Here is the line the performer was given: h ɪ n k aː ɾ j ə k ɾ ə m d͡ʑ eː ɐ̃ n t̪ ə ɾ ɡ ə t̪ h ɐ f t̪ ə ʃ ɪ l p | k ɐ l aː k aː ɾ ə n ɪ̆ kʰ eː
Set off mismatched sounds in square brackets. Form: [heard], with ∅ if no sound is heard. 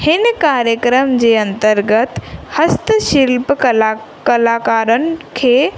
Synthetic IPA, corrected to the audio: h ɪ n k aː ɾ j ə k ɾ ə m d͡ʑ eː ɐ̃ n t̪ ə ɾ ɡ ə t̪ h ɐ [s] t̪ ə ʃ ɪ l p | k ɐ l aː k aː ɾ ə n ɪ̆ kʰ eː